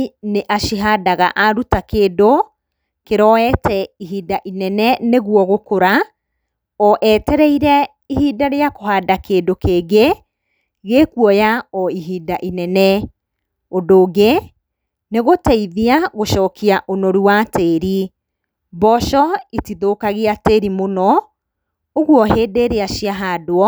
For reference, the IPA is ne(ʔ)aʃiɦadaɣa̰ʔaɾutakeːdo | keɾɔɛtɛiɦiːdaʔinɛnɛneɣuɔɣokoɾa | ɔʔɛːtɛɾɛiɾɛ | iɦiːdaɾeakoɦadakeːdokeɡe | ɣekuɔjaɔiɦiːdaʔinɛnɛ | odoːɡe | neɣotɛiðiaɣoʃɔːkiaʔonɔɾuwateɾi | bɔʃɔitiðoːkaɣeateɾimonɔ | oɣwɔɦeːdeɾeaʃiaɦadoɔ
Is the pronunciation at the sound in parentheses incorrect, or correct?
correct